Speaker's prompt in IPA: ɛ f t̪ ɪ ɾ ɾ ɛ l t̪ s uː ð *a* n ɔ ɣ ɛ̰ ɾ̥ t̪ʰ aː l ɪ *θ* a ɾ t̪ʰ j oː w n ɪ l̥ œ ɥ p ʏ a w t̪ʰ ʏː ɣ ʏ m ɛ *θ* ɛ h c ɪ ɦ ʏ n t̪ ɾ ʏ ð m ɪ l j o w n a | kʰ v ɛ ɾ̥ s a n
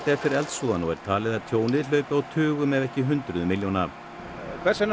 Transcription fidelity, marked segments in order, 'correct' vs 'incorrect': correct, incorrect: ð, incorrect: ð

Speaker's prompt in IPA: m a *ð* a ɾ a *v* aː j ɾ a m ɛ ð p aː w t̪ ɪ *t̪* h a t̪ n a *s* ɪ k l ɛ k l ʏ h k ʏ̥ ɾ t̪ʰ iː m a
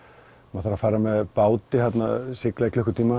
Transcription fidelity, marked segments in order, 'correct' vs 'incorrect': incorrect: θ, incorrect: f, incorrect: none, correct

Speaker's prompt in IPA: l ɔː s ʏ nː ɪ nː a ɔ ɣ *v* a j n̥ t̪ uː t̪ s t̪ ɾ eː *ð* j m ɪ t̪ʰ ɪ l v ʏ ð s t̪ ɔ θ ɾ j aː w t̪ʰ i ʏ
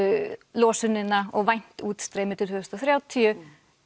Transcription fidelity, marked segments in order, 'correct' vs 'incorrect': correct, incorrect: none

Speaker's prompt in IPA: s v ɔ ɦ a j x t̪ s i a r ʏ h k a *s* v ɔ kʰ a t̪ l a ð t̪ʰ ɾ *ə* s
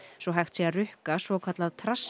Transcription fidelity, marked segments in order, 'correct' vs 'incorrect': correct, incorrect: a

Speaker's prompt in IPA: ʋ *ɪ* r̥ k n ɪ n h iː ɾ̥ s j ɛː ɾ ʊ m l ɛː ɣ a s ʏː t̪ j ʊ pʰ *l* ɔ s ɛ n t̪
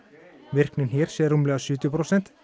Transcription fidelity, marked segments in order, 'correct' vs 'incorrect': correct, incorrect: ɾ

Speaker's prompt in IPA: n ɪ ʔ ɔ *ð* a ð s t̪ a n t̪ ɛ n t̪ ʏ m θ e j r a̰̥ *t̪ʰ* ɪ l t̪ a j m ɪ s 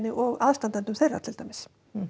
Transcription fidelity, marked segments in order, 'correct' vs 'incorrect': incorrect: ɣ, correct

